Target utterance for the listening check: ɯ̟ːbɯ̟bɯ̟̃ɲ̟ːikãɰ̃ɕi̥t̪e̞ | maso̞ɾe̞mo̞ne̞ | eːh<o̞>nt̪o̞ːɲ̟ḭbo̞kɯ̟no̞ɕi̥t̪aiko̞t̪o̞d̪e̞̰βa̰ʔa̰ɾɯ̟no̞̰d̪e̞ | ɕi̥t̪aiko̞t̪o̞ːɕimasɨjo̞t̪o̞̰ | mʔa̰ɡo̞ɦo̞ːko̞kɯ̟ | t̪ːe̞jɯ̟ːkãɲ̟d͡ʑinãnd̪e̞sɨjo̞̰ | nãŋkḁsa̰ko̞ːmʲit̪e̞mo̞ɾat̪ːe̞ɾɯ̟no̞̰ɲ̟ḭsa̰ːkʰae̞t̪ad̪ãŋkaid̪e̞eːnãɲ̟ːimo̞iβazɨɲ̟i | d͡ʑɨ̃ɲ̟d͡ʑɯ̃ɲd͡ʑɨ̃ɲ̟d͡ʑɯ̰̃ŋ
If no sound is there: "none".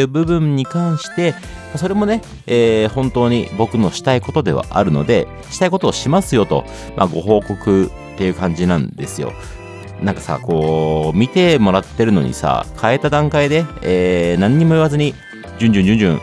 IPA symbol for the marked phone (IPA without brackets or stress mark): õ̞